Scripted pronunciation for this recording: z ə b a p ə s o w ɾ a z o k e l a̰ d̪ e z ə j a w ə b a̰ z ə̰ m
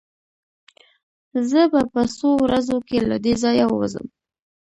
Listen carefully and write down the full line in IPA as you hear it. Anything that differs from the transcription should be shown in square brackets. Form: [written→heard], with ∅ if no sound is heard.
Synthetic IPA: z ə b a p ə s o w ɾ a z o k e l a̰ d̪ e z [ə→ɑ] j a w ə [b→w] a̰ z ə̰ m